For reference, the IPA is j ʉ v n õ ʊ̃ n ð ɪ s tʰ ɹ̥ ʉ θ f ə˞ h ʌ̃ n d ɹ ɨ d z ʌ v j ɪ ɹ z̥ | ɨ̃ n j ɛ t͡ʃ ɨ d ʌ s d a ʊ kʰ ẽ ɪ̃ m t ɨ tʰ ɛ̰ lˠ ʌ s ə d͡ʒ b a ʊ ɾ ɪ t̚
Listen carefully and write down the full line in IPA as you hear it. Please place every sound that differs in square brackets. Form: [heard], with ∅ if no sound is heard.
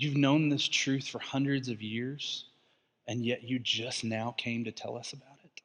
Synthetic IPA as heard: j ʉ v n õ ʊ̃ n ð ɪ s tʰ ɹ̥ ʉ θ f ə˞ h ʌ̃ n d ɹ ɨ d z ʌ v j ɪ ɹ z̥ | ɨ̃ n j ɛ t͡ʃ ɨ [d͡ʒ] ʌ s [n] a ʊ kʰ ẽ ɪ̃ m t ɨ tʰ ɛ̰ lˠ ʌ s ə [∅] b a ʊ ɾ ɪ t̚